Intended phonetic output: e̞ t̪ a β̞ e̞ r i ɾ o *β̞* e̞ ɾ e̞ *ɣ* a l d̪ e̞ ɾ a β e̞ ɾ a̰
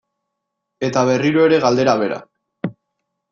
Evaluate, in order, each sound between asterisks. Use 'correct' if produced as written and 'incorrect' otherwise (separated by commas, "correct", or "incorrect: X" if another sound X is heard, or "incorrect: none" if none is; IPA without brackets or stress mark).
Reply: incorrect: none, correct